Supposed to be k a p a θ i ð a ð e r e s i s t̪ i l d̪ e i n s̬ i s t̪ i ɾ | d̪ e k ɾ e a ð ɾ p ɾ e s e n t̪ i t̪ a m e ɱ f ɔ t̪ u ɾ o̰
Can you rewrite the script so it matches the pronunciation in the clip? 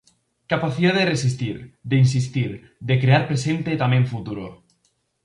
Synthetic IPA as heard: k a p a θ i ð a ð e r e s i s t̪ i ɾ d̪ e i n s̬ i s t̪ i ɾ | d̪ e k ɾ e a ɾ p ɾ e s e n t̪ e t̪ a m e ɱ f u t̪ u ɾ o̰